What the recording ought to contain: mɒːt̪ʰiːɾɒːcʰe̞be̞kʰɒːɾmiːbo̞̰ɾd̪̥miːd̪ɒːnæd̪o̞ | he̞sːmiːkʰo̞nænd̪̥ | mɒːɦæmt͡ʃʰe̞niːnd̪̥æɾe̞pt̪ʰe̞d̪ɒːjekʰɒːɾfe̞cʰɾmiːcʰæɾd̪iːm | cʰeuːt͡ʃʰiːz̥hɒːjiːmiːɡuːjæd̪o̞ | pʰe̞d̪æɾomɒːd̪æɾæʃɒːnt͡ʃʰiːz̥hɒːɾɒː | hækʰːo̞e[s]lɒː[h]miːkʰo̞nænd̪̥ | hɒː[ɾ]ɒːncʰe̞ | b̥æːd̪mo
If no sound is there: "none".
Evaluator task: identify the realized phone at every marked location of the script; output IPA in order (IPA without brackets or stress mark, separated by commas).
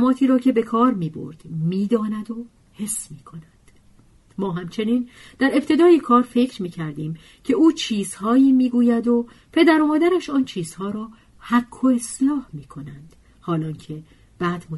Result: s, h, l